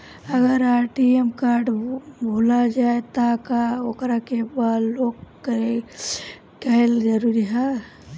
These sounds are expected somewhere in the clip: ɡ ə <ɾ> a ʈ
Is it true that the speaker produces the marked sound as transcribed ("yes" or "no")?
yes